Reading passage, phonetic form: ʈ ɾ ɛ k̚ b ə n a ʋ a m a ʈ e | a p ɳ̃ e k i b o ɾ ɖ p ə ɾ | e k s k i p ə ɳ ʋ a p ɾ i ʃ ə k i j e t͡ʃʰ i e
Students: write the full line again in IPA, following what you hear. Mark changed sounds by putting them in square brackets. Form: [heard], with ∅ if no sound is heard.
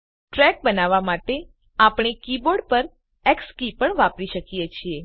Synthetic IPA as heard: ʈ ɾ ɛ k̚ b ə n a ʋ a m a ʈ e | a p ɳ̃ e k i b o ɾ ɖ p ə ɾ | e k s k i p ə ɳ ʋ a p ɾ i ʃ ə k i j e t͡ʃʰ i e